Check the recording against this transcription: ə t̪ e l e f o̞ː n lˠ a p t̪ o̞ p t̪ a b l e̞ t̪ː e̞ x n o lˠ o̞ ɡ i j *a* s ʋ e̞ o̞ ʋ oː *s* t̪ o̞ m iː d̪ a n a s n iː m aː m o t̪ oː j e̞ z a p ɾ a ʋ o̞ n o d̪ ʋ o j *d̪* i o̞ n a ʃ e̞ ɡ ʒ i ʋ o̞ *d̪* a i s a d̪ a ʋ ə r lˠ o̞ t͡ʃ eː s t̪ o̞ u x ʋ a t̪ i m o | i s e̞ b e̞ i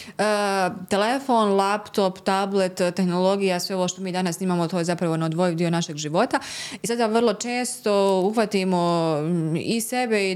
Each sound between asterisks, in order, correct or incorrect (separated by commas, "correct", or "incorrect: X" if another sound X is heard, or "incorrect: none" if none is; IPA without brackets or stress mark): correct, incorrect: ʃ, correct, incorrect: t̪